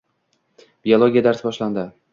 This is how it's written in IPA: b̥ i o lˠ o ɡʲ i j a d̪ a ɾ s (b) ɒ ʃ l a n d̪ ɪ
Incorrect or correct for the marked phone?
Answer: correct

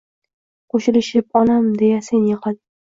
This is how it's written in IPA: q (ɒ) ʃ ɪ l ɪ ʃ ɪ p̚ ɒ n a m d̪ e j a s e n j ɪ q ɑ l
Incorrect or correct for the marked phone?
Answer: incorrect: o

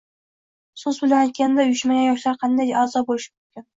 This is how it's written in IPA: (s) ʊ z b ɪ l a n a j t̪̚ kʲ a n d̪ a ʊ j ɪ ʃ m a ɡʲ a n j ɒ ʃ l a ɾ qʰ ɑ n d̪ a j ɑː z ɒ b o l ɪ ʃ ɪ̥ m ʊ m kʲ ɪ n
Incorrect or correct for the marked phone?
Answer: correct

